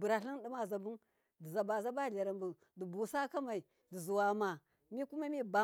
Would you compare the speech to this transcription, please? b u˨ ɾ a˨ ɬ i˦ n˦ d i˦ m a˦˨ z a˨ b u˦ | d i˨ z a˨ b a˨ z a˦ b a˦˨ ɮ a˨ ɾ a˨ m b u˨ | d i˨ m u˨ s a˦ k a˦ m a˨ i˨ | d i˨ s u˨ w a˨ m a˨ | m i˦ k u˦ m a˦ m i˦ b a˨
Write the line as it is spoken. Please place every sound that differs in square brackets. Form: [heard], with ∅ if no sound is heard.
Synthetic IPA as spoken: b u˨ ɾ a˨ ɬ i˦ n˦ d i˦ m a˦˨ z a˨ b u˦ | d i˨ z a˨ b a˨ z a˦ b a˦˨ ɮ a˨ ɾ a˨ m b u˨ | d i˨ [b] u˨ s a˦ k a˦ m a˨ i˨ | d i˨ [z] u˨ w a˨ m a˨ | m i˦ k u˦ m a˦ m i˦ b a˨